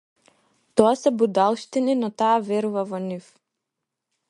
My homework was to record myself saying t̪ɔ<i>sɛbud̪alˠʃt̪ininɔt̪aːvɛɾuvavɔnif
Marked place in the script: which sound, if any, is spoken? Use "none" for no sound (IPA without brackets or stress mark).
a